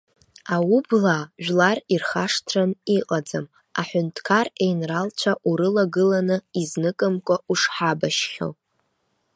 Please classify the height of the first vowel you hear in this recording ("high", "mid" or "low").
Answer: low